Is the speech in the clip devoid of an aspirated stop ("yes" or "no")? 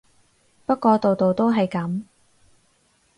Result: yes